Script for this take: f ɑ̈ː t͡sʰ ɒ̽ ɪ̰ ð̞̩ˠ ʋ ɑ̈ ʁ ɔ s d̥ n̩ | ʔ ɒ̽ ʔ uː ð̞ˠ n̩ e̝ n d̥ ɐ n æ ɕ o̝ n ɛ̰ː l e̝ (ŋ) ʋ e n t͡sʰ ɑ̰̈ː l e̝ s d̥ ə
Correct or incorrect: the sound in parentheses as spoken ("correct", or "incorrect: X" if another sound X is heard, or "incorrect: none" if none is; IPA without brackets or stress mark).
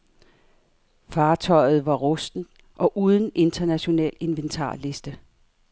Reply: incorrect: n